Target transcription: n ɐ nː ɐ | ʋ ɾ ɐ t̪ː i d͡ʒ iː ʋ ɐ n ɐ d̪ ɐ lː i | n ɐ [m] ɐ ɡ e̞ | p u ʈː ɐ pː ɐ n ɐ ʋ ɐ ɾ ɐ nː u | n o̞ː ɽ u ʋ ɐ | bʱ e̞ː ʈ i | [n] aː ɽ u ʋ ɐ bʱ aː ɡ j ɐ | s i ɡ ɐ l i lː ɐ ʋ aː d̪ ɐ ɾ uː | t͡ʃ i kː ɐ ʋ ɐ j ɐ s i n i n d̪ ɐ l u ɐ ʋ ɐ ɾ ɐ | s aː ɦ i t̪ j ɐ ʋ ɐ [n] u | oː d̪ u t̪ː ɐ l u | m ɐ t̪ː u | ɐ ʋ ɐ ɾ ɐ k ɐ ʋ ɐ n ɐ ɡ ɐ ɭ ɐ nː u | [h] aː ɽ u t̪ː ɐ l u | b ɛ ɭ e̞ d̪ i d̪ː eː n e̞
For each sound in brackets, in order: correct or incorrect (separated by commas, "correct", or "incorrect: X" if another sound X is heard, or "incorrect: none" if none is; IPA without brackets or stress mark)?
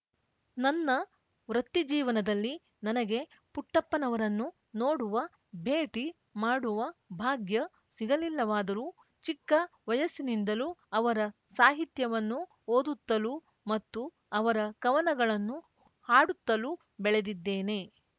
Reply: incorrect: n, incorrect: m, incorrect: nː, correct